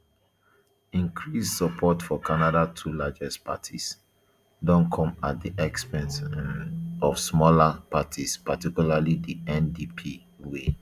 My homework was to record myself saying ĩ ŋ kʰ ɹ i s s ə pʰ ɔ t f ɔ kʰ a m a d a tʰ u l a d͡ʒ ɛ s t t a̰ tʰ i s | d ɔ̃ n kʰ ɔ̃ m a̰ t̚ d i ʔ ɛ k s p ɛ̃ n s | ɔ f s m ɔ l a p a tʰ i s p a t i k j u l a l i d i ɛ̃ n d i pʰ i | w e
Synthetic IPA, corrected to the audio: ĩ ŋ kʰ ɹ i s s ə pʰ ɔ t f ɔ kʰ a n a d a tʰ u l a d͡ʒ ɛ s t p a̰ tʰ i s | d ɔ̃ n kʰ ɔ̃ m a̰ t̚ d i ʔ ɛ k s p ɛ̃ n s | ɔ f s m ɔ l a p a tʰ i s p a t i k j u l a l i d i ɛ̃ n d i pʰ i | w e